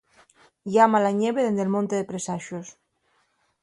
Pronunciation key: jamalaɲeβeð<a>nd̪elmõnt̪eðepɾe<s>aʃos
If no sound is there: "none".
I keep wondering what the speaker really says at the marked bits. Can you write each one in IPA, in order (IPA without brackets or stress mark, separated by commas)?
e, s